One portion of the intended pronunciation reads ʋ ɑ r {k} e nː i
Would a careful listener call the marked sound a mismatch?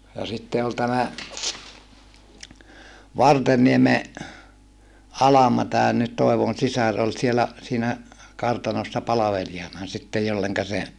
yes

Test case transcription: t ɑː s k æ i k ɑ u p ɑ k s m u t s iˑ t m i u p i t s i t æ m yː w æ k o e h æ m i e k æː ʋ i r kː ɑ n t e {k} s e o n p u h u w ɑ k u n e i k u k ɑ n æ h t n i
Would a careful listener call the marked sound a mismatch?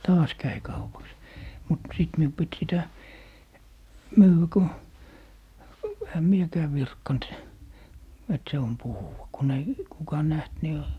yes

